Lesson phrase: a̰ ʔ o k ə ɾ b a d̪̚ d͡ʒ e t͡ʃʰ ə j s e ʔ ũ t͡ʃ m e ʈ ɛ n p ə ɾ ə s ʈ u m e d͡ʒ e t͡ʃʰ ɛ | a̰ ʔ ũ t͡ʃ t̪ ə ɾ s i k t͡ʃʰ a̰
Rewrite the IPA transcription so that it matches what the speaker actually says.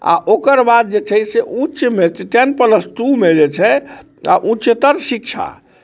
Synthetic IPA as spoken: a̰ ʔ o k ə ɾ b a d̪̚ d͡ʒ e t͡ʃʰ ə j s e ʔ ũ t͡ʃ m e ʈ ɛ n p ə l ə s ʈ u m e d͡ʒ e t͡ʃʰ ɛ | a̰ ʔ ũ t͡ʃ t̪ ə ɾ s i k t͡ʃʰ a̰